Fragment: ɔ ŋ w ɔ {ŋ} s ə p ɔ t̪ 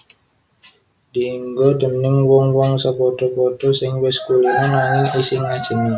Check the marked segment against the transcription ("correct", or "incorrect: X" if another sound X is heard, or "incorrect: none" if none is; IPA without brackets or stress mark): correct